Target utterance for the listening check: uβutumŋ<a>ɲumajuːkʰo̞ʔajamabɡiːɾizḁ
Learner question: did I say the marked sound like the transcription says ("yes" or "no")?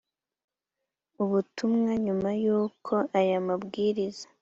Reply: yes